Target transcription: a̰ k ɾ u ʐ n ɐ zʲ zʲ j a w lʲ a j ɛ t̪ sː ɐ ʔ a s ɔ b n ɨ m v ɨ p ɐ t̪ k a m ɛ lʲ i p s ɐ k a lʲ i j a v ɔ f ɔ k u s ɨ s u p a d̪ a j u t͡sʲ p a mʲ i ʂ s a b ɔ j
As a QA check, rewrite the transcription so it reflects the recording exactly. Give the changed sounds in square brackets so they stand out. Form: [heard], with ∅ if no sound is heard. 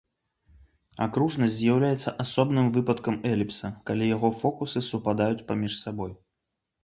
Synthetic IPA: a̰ k ɾ u ʐ n ɐ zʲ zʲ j a w lʲ a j ɛ t̪ sː ɐ ʔ a s ɔ b n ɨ m v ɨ p ɐ t̪ k [ɐ] m ɛ lʲ i p s ɐ k a lʲ i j a [ɣ] ɔ f ɔ k u s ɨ s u p a d̪ a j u t͡sʲ p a mʲ i ʂ s a b ɔ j